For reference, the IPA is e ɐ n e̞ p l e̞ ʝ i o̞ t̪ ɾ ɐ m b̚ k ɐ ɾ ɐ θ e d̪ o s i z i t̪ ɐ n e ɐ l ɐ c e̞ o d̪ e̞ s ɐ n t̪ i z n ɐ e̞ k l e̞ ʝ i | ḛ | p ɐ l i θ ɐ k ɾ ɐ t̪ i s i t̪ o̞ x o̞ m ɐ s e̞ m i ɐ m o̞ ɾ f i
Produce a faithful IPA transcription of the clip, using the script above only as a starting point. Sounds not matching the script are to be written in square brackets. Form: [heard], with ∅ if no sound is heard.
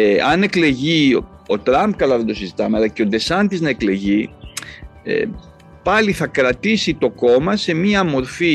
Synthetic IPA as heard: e ɐ n e̞ [k] l e̞ ʝ i o̞ t̪ ɾ ɐ m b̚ k ɐ [l] ɐ [ð] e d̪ o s i z i t̪ ɐ [m] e ɐ l ɐ c e̞ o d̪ e̞ s ɐ n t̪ i z n ɐ e̞ k l e̞ ʝ i | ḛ | p ɐ l i θ ɐ k ɾ ɐ t̪ i s i t̪ o̞ [k] o̞ m ɐ s e̞ m i ɐ m o̞ ɾ f i